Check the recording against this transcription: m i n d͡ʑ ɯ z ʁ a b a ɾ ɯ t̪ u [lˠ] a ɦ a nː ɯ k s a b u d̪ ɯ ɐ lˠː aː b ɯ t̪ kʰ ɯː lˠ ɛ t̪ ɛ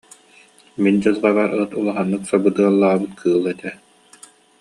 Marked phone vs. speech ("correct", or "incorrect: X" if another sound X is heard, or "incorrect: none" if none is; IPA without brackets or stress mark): correct